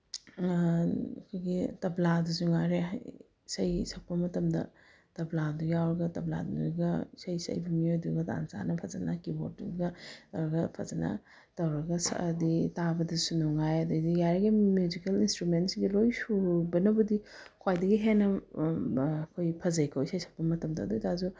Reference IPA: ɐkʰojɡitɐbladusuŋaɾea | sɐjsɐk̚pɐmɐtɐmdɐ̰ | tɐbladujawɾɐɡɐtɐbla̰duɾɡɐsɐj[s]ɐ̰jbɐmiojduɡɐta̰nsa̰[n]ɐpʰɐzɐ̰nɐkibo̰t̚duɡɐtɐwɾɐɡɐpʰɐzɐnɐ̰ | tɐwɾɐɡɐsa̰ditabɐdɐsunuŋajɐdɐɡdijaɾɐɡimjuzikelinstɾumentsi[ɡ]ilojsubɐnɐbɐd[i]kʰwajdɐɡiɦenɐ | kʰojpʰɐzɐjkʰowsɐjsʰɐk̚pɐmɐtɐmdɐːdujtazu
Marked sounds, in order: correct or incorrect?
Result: correct, correct, correct, correct

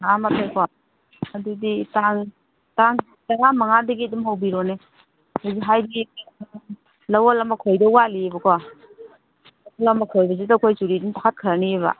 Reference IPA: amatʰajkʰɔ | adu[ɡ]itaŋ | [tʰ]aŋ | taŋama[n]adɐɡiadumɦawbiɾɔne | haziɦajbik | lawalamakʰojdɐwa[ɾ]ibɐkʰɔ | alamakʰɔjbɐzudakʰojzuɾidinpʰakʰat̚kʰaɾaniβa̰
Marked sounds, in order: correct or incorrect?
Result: incorrect, incorrect, incorrect, incorrect

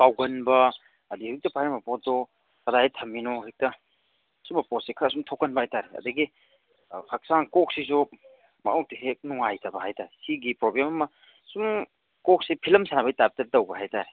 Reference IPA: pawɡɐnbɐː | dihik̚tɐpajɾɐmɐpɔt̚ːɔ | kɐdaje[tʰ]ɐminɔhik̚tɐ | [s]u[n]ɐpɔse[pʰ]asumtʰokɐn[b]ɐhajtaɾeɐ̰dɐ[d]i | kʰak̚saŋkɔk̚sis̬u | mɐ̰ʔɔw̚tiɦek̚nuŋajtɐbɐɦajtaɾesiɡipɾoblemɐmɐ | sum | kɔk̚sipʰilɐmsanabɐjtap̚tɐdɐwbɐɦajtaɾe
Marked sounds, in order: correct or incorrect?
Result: correct, correct, incorrect, incorrect, correct, incorrect

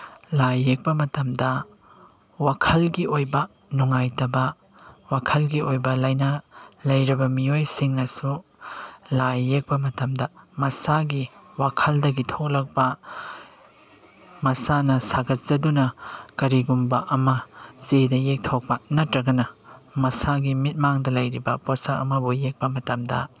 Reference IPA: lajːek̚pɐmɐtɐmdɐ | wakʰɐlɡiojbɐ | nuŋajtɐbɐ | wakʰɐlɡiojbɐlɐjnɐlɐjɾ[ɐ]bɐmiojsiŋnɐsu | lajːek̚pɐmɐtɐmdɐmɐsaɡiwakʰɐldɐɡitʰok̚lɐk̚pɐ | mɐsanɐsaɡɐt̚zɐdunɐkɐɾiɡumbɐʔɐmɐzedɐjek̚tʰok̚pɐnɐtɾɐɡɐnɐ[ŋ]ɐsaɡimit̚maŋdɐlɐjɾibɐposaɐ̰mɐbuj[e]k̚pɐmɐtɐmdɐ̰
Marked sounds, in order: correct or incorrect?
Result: correct, incorrect, correct

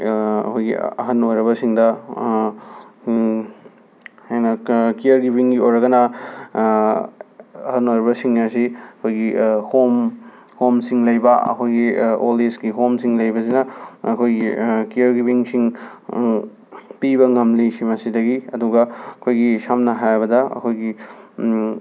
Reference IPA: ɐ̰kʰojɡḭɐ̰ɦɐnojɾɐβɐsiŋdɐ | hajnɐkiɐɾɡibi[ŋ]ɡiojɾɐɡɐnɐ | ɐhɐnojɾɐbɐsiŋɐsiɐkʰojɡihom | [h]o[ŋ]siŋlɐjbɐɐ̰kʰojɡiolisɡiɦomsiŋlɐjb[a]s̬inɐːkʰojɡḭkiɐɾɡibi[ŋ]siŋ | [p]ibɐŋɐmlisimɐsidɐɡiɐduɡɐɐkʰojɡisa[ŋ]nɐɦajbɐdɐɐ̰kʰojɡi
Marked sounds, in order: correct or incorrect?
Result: correct, correct, incorrect, incorrect, correct, correct, incorrect

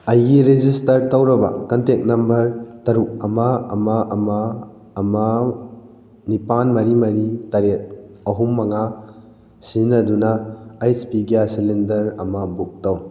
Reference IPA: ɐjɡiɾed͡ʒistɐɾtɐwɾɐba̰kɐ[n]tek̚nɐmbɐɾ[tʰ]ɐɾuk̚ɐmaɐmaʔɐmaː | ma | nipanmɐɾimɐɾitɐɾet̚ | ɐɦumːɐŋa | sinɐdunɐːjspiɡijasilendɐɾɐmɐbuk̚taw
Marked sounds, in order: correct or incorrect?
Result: correct, incorrect

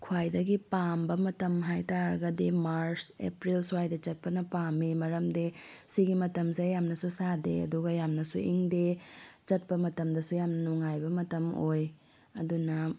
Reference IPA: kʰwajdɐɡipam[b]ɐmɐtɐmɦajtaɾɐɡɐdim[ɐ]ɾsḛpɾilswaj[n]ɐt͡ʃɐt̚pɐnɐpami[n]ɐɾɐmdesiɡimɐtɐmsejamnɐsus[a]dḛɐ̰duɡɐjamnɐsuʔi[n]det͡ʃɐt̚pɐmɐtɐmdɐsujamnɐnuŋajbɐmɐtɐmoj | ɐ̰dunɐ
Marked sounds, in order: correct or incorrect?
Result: correct, incorrect, incorrect, incorrect, correct, incorrect

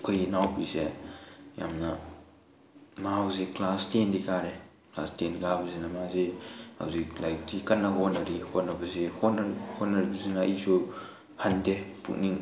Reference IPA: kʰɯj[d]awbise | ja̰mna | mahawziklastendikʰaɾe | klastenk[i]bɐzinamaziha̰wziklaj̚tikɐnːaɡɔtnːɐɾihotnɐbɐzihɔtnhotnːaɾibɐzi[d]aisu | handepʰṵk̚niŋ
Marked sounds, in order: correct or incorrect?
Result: incorrect, incorrect, incorrect

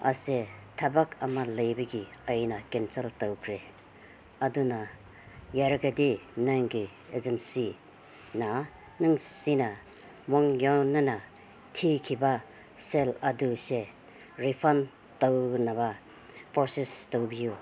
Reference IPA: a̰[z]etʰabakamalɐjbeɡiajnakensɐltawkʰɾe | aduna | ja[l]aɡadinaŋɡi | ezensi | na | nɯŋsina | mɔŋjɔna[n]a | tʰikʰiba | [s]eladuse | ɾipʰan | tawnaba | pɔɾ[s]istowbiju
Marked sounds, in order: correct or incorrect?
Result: incorrect, incorrect, correct, correct, correct

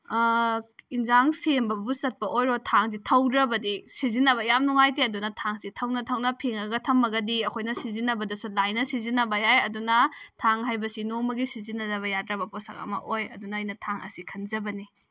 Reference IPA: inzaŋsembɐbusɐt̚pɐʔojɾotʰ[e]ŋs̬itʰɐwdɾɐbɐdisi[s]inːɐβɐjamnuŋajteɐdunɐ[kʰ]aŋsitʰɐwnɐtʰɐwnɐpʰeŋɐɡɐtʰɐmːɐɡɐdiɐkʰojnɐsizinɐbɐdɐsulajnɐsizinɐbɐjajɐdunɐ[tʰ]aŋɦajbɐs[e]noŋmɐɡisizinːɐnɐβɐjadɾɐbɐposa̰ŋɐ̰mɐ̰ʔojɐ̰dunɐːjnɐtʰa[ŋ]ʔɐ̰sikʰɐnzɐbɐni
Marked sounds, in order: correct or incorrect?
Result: incorrect, incorrect, incorrect, correct, incorrect, correct

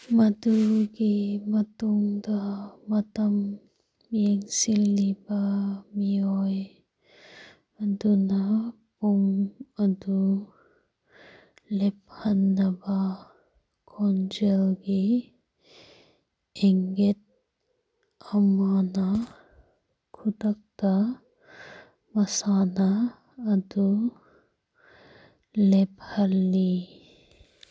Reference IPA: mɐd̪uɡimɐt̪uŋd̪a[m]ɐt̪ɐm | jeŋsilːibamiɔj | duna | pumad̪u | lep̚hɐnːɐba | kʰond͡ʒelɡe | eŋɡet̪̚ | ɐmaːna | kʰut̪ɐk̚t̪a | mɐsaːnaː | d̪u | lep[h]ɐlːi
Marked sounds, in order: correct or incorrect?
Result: correct, correct

